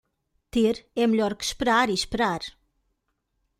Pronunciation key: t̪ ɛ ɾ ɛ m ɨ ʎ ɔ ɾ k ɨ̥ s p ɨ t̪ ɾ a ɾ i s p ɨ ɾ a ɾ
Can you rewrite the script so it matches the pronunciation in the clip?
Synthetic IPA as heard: t̪ e ɾ ɛ m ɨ ʎ ɔ ɾ k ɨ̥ ʃ p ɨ ɾ a ɾ i ʃ p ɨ ɾ a ɾ